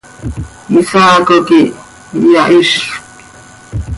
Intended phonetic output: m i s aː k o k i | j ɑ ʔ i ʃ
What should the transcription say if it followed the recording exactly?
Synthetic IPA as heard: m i s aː k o k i | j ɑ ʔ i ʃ